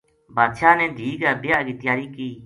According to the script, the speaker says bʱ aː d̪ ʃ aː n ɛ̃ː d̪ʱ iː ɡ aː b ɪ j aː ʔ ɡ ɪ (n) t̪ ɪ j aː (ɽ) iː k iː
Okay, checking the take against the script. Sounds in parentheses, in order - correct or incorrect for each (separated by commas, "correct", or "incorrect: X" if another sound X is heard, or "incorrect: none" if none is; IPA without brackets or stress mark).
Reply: incorrect: none, incorrect: ɾ